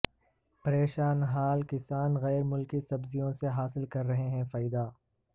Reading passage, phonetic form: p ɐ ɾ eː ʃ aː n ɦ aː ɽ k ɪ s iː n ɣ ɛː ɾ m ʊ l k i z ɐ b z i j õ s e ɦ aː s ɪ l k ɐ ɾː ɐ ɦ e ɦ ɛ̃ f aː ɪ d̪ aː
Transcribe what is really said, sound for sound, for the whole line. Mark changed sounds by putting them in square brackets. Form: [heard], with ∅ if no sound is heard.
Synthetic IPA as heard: p ɐ ɾ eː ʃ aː n ɦ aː [l] k ɪ s [aː] n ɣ ɛː ɾ m ʊ l k i [s] ɐ b z i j õ s e ɦ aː s ɪ l k ɐ ɾː ɐ ɦ e ɦ ɛ̃ f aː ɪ d̪ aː